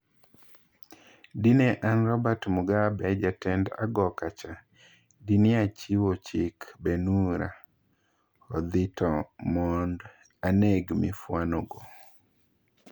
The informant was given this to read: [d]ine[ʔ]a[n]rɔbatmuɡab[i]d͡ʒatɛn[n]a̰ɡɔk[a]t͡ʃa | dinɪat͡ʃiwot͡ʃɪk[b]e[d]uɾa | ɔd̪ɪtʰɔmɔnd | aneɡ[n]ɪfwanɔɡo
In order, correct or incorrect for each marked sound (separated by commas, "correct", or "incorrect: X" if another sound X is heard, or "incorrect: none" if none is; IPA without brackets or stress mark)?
correct, correct, correct, incorrect: ɛ, incorrect: d, correct, correct, incorrect: n, incorrect: m